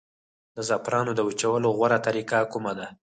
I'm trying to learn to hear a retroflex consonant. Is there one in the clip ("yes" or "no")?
no